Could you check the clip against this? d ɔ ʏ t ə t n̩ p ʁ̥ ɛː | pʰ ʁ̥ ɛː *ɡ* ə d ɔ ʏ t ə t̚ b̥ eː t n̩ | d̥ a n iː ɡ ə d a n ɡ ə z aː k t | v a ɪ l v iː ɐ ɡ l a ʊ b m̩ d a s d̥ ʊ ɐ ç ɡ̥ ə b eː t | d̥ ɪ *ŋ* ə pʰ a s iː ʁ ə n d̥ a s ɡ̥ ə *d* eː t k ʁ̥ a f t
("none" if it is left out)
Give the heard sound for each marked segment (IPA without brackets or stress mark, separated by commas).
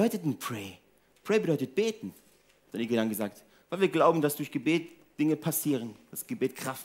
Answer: b, ŋ, b